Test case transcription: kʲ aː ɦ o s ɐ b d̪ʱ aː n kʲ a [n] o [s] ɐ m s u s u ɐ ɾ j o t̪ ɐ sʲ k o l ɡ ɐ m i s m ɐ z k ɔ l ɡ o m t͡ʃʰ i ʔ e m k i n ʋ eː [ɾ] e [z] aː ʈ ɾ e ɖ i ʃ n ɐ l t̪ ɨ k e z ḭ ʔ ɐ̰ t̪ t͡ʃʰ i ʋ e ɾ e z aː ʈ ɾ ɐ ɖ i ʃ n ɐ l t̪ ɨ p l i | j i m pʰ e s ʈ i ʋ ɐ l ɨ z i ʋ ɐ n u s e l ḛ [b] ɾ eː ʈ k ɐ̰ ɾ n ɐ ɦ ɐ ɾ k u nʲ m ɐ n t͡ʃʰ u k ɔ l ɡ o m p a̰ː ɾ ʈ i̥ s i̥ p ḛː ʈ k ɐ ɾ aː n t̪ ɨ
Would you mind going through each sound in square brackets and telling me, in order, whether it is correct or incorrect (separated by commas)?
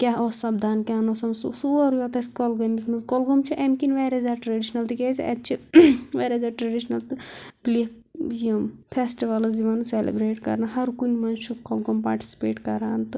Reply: correct, correct, correct, correct, correct